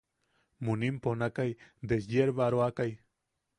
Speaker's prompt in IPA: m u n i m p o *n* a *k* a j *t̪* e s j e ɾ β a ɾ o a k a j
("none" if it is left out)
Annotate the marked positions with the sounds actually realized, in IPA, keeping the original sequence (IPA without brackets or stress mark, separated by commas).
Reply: n, k, d̪